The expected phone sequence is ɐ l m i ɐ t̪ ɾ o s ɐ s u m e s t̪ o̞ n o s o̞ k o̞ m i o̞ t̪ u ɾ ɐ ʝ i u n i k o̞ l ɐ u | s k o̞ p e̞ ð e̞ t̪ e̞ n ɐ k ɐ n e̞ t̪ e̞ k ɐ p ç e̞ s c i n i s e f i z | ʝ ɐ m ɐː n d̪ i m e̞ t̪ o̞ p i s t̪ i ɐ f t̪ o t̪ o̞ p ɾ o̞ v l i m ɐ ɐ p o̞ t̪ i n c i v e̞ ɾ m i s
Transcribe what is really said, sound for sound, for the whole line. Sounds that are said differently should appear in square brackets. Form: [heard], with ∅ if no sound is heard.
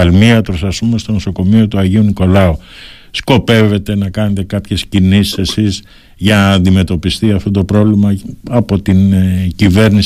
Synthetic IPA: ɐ l m i ɐ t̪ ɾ o s ɐ s u m e s t̪ o̞ n o s o̞ k o̞ m i o̞ t̪ u [∅] ɐ ʝ i u n i k o̞ l ɐ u | s k o̞ p e̞ [v] e̞ t̪ e̞ n ɐ k ɐ n e̞ t̪ e̞ k ɐ p ç e̞ s c i n i s e [s] i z | ʝ ɐ [n] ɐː n d̪ i m e̞ t̪ o̞ p i s t̪ i ɐ f t̪ o t̪ o̞ p ɾ o̞ v l i m ɐ ɐ p o̞ t̪ i n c i v e̞ ɾ [n] i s